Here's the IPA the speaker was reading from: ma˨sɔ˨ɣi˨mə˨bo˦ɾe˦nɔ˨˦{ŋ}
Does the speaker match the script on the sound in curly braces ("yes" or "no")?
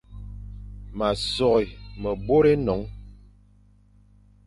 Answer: yes